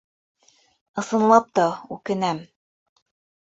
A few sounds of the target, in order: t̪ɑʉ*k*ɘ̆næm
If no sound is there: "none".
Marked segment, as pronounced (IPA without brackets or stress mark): k